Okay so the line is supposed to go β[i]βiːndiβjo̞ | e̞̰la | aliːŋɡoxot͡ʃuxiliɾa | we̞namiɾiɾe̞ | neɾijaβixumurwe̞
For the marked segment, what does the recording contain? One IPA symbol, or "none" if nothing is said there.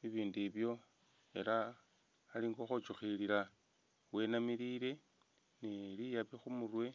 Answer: i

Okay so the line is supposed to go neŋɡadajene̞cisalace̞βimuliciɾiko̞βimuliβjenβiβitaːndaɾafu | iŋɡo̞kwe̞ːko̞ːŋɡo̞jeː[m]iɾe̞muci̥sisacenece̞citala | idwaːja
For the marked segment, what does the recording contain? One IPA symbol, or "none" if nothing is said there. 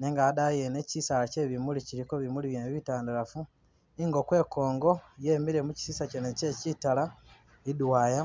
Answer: m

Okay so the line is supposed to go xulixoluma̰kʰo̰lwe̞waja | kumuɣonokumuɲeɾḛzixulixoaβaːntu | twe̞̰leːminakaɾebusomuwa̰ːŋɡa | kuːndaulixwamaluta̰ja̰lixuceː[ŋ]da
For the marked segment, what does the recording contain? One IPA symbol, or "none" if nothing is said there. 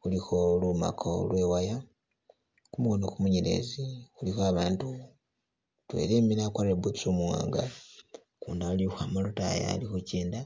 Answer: n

